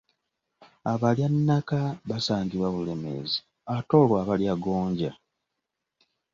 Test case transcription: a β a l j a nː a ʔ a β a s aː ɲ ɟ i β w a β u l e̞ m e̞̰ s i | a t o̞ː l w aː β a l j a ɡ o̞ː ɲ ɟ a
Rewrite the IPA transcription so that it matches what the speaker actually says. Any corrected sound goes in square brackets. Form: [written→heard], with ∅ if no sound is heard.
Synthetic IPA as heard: a β a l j a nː a [ʔ→k] a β a s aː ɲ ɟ i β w a β u l e̞ m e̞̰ [s→z] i | a t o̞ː l w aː β a l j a ɡ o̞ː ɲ ɟ a